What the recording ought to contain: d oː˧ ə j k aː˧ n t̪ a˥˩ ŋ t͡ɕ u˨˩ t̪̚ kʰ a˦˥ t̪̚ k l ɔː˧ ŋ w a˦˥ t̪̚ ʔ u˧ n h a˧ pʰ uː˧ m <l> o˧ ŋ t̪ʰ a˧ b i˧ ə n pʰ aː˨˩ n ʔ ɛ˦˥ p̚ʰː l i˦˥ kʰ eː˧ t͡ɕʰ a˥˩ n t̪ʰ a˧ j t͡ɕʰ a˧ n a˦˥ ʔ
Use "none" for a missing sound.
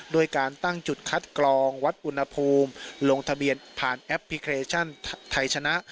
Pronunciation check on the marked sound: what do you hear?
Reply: l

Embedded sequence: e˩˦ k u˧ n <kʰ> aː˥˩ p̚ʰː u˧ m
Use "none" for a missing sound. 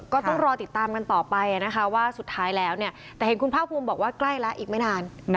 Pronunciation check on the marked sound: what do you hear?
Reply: pʰ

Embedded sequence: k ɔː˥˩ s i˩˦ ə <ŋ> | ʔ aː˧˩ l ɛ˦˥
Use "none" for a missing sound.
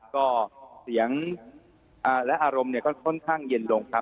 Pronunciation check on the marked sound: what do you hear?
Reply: ŋ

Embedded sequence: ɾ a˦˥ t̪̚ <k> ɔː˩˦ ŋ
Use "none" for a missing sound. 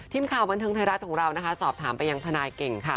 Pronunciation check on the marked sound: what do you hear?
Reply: kʰ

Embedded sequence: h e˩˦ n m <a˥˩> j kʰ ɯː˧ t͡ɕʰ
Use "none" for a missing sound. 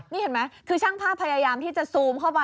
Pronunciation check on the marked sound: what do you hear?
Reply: a˦˥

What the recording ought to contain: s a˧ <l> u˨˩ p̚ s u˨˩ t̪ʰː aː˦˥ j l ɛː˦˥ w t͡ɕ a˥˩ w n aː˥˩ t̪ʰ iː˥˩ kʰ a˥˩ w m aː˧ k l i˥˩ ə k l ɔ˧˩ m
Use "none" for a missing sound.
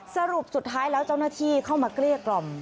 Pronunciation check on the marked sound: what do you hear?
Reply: ɾ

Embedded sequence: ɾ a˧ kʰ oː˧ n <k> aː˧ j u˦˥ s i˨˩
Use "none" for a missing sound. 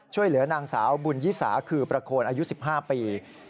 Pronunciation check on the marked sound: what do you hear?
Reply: ʔ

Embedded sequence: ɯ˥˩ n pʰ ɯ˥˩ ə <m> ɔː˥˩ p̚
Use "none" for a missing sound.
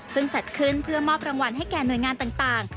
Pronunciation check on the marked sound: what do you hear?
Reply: m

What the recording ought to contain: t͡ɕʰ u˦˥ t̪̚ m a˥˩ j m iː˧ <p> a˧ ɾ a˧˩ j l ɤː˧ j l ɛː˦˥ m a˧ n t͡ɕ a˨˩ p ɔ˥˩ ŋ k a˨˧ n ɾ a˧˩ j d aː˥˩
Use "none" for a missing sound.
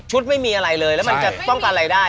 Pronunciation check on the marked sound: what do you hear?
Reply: ʔ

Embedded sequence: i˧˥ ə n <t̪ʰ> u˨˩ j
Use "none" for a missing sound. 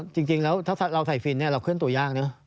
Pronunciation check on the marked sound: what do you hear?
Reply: t̪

